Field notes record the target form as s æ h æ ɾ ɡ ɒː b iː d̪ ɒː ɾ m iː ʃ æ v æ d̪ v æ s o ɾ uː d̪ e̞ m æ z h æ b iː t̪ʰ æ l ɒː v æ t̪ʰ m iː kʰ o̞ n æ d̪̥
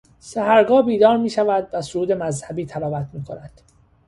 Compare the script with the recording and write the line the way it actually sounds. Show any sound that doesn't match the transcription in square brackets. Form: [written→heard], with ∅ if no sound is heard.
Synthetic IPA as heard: s æ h æ ɾ ɡ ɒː b iː d̪ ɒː ɾ m iː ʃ æ v æ d̪ v æ s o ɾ uː d̪ e̞ m æ z h æ b iː t̪ʰ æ l ɒː v æ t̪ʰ m iː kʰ o̞ n æ d̪̥

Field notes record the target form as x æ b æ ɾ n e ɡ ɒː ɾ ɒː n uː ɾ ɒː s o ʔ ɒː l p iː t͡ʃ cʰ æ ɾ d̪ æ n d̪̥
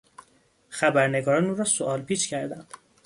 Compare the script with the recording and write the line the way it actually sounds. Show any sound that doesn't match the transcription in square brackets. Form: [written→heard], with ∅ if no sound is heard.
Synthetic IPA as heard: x æ b æ ɾ n e ɡ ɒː ɾ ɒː n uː ɾ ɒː s o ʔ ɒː l p iː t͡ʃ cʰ æ ɾ d̪ æ n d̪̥

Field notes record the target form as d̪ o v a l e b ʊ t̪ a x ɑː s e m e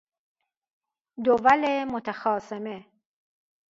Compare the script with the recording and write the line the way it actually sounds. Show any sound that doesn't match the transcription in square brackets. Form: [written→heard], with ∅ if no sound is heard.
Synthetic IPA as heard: d̪ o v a l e [b→m] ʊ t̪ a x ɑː s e m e

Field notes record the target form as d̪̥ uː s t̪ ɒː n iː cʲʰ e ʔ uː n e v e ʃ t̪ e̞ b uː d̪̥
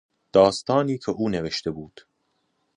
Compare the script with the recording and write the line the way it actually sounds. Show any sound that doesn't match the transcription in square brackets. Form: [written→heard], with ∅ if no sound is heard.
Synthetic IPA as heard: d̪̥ [uː→ɒː] s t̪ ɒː n iː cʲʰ e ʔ uː n e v e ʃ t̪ e̞ b uː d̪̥

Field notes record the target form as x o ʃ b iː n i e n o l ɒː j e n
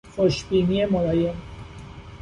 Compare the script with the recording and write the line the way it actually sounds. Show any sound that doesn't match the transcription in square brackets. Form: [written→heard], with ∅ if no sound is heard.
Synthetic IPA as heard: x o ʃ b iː n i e [n→m] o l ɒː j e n

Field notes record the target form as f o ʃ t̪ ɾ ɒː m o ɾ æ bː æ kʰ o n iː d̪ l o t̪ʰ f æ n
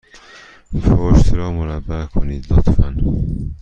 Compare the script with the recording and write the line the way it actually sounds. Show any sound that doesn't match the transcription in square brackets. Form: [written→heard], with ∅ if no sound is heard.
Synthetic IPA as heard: f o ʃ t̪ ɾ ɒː m o ɾ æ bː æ kʰ o n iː d̪ l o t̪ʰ f æ n

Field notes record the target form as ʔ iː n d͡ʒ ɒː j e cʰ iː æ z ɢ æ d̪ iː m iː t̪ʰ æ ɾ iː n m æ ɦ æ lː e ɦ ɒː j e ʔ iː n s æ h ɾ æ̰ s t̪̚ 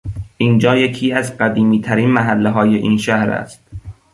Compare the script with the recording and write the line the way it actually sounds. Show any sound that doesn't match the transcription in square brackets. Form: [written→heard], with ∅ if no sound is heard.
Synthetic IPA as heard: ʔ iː n d͡ʒ ɒː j e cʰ iː æ z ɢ æ d̪ iː m iː t̪ʰ æ ɾ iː n m æ ɦ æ lː e ɦ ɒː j e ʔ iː n [s→ʃ] æ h ɾ æ̰ s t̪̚

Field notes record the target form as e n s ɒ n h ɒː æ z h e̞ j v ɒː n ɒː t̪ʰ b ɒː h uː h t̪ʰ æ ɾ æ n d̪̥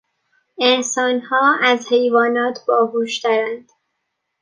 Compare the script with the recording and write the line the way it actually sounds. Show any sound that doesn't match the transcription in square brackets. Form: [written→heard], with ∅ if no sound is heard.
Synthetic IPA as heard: e n s [ɒ→ɒː] n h ɒː æ z h e̞ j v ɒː n ɒː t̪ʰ b ɒː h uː [h→ʃ] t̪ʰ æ ɾ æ n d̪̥

